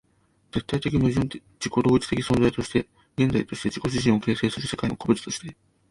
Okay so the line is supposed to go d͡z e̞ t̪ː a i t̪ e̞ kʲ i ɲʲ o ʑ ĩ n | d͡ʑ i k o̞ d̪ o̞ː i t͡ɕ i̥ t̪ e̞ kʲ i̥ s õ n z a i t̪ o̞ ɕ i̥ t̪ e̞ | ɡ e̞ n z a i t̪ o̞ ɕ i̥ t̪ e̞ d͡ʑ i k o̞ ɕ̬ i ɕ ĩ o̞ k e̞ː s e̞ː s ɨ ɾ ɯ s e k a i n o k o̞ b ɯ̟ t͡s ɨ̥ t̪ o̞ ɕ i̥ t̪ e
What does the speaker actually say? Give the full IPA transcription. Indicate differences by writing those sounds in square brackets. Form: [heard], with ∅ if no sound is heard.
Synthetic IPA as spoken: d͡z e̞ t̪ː a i t̪ e̞ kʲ i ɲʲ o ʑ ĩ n | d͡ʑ i k o̞ d̪ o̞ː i t͡ɕ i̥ t̪ e̞ kʲ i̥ s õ n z a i t̪ o̞ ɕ i̥ t̪ e̞ | ɡ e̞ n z a i t̪ o̞ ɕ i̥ t̪ e̞ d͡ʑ i k o̞ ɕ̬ i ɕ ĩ o̞ k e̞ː s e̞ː s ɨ ɾ ɯ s e k a i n o k o̞ b ɯ̟ t͡s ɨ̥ t̪ o̞ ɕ i̥ t̪ e